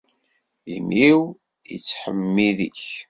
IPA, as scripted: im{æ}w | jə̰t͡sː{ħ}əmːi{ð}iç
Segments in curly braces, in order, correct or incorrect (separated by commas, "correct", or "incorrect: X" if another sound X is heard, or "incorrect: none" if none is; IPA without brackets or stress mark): incorrect: i, correct, correct